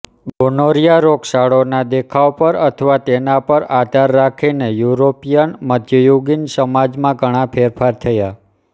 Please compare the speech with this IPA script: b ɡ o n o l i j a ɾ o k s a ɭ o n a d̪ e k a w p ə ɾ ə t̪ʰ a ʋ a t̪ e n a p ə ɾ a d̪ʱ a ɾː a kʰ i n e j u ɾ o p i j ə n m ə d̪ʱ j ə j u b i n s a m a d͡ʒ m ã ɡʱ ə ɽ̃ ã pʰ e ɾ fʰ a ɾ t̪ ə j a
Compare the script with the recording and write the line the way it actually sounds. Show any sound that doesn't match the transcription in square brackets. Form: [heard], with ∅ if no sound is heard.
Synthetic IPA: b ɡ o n o [ɾ] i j a ɾ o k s a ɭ o n a d̪ e [kʰ] a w p ə ɾ ə t̪ʰ [ə] ʋ a t̪ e n a p ə ɾ a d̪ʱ a ɾː a kʰ i n e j u ɾ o p i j ə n m ə d̪ʱ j ə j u [ɡ] i n s [ə] m a d͡ʒ m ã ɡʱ ə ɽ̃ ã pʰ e ɾ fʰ a ɾ [t̪ʰ] ə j a